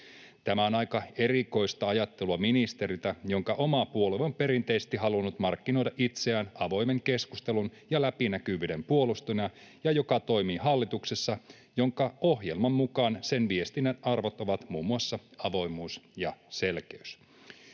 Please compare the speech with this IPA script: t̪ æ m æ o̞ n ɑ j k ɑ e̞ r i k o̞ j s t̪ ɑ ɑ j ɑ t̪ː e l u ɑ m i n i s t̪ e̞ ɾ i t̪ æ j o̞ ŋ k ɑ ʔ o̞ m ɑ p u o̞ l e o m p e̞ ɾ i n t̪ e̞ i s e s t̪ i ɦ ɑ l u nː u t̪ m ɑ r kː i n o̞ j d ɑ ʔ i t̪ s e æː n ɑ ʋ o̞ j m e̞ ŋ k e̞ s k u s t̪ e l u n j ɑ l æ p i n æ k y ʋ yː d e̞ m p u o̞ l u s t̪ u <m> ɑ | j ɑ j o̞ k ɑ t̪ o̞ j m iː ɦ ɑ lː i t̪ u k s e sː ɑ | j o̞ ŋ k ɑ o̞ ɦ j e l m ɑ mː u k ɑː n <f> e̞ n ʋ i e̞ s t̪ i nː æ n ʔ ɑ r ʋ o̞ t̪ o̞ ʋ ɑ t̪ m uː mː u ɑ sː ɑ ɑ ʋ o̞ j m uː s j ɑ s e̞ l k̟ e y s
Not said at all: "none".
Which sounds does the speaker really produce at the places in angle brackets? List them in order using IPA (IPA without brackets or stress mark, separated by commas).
n, s